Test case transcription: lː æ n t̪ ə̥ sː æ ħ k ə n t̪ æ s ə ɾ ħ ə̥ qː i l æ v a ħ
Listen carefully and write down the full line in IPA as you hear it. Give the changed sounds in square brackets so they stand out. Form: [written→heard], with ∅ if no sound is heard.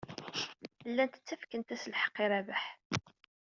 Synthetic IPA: lː æ n t̪ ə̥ [sː→t͡sː] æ [ħ→f] k ə n t̪ æ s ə [ɾ→l] ħ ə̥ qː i [l→ɾ] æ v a ħ